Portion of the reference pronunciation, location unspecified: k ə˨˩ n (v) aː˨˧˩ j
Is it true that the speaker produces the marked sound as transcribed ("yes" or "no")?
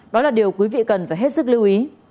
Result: no